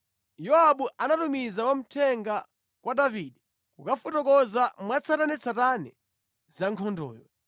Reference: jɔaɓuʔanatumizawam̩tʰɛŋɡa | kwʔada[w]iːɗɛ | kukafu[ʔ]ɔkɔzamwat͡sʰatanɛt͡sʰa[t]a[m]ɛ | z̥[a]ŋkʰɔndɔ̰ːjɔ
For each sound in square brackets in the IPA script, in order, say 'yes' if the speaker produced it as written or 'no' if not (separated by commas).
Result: no, no, yes, no, yes